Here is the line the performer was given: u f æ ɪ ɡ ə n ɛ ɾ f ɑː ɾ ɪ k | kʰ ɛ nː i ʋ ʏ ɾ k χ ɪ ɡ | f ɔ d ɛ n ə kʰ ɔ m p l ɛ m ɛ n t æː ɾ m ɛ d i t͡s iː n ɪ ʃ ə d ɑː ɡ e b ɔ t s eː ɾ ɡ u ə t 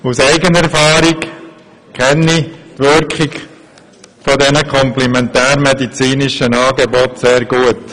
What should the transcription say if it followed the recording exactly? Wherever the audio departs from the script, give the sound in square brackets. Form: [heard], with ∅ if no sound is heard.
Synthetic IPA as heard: u [s] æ ɪ ɡ ə n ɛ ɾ f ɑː ɾ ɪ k | kʰ ɛ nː i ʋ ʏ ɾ k χ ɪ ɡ | f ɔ d ɛ n ə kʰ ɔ m p l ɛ m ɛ n t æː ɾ m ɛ d i t͡s iː n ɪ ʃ ə [n] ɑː ɡ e b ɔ t s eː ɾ ɡ u ə t